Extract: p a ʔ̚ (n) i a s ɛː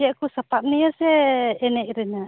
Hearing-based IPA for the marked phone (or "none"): n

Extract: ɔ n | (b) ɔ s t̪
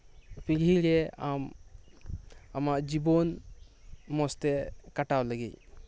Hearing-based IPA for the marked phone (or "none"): m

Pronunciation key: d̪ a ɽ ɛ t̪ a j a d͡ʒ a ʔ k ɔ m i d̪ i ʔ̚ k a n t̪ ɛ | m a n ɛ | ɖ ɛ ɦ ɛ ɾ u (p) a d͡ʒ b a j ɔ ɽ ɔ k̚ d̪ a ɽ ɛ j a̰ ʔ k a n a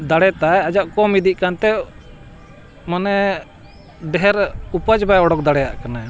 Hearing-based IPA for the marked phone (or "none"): p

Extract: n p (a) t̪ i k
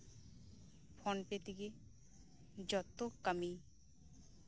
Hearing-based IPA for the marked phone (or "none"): e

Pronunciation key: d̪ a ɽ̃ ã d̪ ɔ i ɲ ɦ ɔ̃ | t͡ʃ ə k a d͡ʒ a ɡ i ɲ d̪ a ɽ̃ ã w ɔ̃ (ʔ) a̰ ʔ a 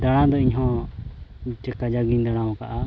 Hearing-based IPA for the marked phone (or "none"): k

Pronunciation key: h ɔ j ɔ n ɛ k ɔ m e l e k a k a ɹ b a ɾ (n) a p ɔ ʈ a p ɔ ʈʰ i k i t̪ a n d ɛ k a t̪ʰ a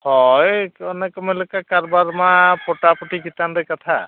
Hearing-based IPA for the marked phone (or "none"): m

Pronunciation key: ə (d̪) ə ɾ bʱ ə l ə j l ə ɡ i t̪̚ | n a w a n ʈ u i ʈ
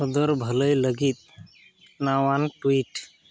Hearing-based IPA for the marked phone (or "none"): d̪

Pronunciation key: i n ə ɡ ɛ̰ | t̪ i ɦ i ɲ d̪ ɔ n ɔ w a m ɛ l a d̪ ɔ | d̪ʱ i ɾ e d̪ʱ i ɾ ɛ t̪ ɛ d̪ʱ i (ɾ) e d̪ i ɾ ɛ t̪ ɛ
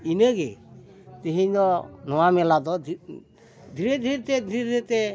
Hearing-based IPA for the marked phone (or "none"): ɾ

